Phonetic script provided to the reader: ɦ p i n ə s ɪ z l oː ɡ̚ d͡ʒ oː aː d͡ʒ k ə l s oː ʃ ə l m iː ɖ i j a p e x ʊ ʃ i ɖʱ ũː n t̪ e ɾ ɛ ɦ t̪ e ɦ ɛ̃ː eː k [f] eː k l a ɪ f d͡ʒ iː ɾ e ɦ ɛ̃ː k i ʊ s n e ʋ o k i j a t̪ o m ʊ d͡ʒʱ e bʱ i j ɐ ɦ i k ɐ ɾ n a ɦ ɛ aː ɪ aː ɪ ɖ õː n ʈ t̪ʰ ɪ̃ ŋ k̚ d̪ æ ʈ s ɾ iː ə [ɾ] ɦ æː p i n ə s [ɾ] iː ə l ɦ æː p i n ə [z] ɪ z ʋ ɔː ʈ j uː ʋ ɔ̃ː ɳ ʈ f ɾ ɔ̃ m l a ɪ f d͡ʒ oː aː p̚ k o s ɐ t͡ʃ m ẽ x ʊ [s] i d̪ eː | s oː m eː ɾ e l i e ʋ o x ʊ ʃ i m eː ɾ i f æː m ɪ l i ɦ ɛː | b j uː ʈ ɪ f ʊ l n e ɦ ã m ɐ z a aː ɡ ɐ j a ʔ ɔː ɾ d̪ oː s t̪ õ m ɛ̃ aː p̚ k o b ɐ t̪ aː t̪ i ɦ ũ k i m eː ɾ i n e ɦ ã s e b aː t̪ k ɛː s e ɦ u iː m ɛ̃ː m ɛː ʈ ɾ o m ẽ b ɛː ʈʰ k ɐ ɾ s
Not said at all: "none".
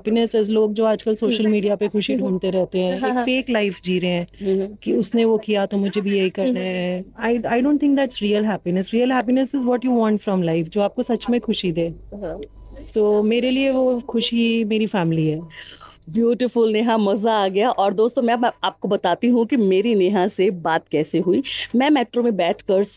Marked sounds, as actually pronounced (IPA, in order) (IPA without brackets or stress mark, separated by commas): f, l, ɾ, s, ʃ